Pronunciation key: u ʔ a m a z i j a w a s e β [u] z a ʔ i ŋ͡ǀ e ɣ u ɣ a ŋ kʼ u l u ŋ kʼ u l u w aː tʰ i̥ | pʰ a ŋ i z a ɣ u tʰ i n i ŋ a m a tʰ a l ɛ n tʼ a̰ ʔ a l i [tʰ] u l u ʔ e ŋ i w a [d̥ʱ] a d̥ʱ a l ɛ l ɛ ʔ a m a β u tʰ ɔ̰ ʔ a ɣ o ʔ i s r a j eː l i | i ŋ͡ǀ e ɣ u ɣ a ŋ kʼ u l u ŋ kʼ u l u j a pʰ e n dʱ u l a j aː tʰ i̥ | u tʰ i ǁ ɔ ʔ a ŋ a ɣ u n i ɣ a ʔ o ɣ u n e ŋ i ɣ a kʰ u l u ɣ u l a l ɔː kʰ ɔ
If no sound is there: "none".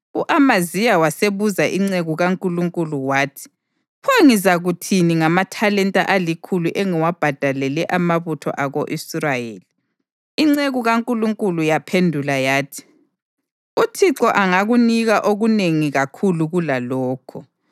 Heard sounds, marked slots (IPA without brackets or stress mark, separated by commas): u, kʰ, b̥ʱ